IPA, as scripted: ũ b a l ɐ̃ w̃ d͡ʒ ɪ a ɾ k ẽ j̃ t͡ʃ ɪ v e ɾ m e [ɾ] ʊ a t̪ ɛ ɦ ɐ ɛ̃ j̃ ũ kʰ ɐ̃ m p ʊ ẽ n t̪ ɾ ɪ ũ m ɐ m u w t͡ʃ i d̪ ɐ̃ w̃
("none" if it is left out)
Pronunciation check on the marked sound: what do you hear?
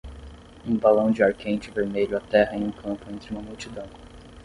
ʎ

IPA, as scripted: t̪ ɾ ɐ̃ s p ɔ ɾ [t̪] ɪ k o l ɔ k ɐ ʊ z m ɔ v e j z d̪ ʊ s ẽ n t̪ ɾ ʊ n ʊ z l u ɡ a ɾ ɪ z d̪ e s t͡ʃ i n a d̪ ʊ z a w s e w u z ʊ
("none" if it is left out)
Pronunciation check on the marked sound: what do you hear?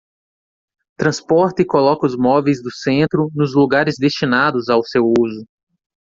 t̪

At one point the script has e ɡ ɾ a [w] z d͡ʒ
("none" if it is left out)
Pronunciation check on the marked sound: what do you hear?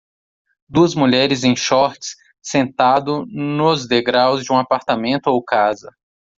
w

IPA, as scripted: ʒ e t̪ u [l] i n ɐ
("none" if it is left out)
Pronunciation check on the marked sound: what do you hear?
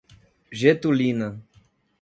l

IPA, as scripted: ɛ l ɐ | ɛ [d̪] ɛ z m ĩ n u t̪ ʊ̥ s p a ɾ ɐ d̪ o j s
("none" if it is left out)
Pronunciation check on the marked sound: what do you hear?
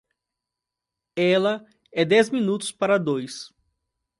d̪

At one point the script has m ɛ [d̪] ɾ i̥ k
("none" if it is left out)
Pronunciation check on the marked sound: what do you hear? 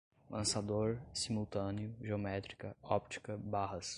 t̪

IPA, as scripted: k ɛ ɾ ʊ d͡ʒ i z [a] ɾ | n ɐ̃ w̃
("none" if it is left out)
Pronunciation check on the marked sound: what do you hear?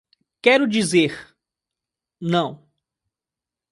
e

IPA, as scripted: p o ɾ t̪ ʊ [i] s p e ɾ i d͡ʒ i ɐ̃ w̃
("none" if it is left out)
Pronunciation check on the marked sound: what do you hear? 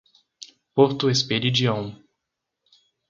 e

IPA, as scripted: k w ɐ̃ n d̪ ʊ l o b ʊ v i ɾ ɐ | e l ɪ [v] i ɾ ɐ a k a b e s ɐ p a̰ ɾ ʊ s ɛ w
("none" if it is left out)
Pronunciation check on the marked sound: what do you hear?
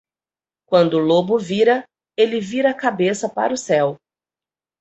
v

